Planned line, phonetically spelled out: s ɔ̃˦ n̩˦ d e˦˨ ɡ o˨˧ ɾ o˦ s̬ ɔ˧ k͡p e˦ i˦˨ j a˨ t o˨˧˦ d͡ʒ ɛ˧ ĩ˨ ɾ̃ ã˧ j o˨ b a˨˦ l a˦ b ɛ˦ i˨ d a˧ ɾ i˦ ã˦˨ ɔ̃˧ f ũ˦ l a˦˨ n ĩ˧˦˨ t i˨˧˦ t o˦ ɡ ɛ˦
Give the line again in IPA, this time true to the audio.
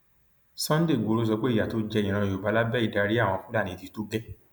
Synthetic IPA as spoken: s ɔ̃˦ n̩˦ d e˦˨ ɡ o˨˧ ɾ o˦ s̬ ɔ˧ k͡p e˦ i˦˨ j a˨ t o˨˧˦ d͡ʒ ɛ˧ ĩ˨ ɾ̃ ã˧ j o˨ b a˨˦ l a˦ b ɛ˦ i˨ d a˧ ɾ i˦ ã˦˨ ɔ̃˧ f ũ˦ l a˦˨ n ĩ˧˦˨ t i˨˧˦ t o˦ ɡ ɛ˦

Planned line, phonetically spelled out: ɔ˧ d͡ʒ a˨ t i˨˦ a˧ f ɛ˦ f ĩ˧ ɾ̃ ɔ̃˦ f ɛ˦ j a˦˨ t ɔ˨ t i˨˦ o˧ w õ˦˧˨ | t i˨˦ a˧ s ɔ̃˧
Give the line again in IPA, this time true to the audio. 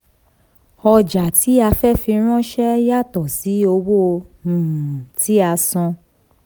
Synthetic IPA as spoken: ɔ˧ d͡ʒ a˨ t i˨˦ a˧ f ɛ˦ f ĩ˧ ɾ̃ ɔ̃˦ ʃ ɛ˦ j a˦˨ t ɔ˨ s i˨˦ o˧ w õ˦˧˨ | t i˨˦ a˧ s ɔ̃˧

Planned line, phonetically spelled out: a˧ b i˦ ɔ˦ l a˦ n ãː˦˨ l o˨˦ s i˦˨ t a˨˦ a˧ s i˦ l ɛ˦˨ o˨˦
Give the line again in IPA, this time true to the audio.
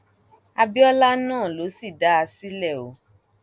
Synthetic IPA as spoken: a˧ b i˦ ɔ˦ l a˦ n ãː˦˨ l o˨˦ s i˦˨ d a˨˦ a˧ s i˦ l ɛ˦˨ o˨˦

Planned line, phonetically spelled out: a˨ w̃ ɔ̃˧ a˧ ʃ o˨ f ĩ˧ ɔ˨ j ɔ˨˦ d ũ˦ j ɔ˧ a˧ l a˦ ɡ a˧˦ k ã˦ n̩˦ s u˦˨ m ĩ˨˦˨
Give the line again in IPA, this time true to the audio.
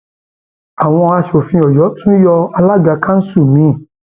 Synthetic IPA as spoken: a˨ w̃ ɔ̃˧ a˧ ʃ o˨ f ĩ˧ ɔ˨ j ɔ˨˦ t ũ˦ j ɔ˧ a˧ l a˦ ɡ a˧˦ k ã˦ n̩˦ s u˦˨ m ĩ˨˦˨

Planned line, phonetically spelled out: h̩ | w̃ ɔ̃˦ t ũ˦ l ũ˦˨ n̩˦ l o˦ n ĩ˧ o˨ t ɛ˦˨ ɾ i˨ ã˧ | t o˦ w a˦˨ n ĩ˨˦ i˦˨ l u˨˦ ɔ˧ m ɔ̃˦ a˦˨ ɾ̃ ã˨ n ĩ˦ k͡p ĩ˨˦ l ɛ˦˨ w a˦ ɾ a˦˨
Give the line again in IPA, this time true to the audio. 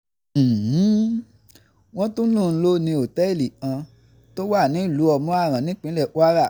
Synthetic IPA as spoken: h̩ | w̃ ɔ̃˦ t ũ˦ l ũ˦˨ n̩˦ l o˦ n ĩ˧ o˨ t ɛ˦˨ l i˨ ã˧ | t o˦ w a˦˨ n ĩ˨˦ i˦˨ l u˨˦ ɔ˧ m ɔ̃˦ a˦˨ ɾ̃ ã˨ n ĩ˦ k͡p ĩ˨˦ l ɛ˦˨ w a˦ ɾ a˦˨

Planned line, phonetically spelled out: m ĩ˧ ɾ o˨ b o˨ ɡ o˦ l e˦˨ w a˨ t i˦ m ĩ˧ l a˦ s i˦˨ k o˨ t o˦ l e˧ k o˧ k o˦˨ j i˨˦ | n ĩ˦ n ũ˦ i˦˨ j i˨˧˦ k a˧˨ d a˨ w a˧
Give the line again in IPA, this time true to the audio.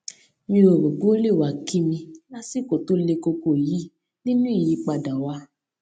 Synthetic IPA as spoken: m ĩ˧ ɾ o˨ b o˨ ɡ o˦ l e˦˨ w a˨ k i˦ m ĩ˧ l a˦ s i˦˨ k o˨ t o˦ l e˧ k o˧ k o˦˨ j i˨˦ | n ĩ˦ n ũ˦ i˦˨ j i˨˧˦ k͡p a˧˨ d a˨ w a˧

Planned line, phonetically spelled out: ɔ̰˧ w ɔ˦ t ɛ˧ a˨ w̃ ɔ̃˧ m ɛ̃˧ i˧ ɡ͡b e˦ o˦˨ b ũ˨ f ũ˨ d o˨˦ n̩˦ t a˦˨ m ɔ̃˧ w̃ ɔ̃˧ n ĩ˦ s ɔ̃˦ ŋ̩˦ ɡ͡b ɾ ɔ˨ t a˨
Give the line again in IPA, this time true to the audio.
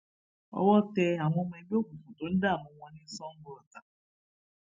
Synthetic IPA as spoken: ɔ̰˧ w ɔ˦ t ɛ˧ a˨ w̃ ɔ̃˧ m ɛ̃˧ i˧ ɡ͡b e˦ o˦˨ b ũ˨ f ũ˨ t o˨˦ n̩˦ d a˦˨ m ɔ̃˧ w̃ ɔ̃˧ n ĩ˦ s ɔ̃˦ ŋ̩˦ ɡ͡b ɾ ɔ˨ t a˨

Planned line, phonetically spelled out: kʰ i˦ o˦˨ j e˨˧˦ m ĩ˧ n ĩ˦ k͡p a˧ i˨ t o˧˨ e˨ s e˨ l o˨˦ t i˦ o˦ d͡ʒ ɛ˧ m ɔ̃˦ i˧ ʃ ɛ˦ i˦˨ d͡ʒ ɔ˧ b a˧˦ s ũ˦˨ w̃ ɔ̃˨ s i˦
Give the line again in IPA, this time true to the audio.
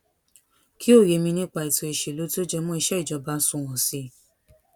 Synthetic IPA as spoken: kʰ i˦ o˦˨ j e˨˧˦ m ĩ˧ n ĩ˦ k͡p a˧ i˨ t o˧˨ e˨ ʃ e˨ l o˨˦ t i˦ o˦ d͡ʒ ɛ˧ m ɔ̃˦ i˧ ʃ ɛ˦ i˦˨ d͡ʒ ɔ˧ b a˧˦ s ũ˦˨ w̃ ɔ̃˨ s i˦

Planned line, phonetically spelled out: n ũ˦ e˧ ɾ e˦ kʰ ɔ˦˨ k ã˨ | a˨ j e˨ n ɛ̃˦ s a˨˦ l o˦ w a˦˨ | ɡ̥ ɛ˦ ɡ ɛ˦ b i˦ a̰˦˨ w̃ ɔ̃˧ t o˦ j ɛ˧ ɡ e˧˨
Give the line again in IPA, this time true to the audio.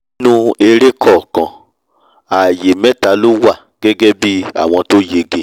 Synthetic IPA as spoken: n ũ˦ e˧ ɾ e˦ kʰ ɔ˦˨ k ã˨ | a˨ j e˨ m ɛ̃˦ t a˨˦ l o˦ w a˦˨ | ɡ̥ ɛ˦ ɡ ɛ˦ b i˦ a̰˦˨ w̃ ɔ̃˧ t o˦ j e˧ ɡ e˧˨

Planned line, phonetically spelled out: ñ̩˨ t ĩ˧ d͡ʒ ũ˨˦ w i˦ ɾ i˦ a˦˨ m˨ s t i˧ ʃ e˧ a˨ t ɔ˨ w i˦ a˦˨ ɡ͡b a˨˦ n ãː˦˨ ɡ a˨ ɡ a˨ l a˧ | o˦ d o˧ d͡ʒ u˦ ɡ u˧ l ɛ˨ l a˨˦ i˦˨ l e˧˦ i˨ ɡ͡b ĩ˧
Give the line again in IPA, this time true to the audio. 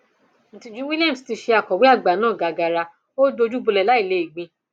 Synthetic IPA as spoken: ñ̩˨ t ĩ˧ d͡ʒ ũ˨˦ w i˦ l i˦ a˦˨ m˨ s t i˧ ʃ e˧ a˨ k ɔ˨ w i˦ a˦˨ ɡ͡b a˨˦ n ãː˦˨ ɡ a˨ ɡ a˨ ɾ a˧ | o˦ d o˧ d͡ʒ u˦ b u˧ l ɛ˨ l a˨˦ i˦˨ l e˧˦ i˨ ɡ͡b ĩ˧

